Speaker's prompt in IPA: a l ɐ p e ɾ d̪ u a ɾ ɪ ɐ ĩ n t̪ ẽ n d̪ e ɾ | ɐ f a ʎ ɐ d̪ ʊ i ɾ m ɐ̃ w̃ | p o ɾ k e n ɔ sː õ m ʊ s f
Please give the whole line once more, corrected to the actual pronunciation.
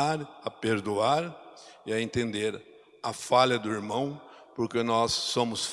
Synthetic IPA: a ɾ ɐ p e ɾ d̪ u a ɾ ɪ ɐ ẽ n t̪ ẽ n d̪ e ɾ | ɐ f a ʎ ɐ d̪ ʊ i ɾ m ɐ̃ w̃ | p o ɾ k e n ɔ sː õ m ʊ s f

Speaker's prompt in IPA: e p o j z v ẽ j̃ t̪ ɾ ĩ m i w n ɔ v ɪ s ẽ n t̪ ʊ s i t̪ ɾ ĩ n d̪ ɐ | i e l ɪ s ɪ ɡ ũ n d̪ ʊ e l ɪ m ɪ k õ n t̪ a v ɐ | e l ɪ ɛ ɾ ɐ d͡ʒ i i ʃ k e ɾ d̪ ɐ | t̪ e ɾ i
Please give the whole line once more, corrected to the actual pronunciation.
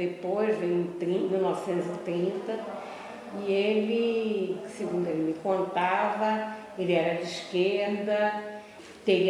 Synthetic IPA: e p o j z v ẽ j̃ t̪ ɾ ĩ m i w n ɔ v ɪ s ẽ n t̪ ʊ z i t̪ ɾ ĩ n t̪ ɐ | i e l ɪ s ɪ ɡ ũ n d̪ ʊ e l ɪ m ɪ k õ n t̪ a v ɐ | e l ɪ ɛ ɾ ɐ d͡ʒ ɪ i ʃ k e ɾ d̪ ɐ | t̪ e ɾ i

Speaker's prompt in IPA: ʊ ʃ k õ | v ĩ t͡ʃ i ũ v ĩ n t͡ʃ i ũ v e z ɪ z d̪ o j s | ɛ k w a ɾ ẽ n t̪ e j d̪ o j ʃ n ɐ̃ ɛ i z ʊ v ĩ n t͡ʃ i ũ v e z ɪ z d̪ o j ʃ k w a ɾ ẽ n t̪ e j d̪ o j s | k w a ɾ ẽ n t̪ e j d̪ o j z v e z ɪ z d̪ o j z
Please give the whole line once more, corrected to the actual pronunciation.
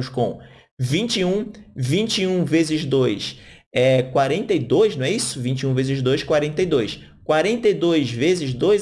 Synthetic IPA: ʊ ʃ k õ | v ĩ t͡ʃ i ũ v ĩ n t͡ʃ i ũ v e z ɪ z d̪ o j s | ɛ k w a ɾ ẽ n t̪ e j d̪ o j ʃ n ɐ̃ ɛ i s ʊ v ĩ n t͡ʃ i ũ v e z ɪ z d̪ o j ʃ k w a ɾ ẽ n t̪ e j d̪ o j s | k w a ɾ ẽ n t̪ e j d̪ o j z v e z ɪ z d̪ o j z

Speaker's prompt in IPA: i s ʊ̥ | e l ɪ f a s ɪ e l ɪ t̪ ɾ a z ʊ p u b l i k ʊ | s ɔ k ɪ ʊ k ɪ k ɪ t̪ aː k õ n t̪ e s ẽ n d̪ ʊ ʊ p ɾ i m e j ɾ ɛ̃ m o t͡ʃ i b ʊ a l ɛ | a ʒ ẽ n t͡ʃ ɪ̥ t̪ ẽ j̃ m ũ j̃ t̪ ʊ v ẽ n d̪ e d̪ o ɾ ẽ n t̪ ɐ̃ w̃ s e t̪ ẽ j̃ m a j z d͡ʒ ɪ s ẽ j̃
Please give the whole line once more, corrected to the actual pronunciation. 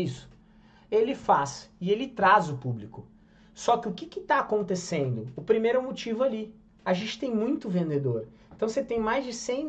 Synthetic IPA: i s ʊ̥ | e l ɪ f a s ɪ e l ɪ t̪ ɾ a z ʊ p u b l i k ʊ | s ɔ k ɪ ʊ k ɪ k ɪ t̪ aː k õ n t̪ e s ẽ n d̪ ʊ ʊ p ɾ i m e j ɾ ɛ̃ m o t͡ʃ i v ʊ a l i | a ʒ ẽ n t͡ʃ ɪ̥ t̪ ẽ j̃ m ũ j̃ t̪ ʊ v ẽ n d̪ e d̪ o ɾ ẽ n t̪ ɐ̃ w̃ s e t̪ ẽ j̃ m a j z d͡ʒ ɪ s ẽ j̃

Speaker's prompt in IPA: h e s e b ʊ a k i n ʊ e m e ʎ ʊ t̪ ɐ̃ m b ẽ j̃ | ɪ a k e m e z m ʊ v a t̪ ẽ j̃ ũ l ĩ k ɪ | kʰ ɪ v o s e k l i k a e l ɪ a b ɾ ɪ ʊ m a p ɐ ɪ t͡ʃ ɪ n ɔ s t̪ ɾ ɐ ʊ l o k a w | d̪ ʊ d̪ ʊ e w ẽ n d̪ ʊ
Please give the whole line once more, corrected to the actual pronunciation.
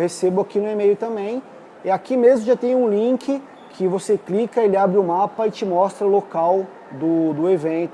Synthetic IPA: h e s e b ʊ a k i n ʊ e m e j ʊ t̪ ɐ̃ m b ẽ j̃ | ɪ a k i m e z m ʊ ʒ a t̪ ẽ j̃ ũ l ĩ k ɪ | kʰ ɪ v o s e k l i k ɐ e l ɪ a b ɾ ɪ ʊ m a p ɐ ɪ t͡ʃ ɪ m ɔ s t̪ ɾ ɐ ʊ l o k a w | d̪ ʊ d̪ ʊ e v ẽ n t̪ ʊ

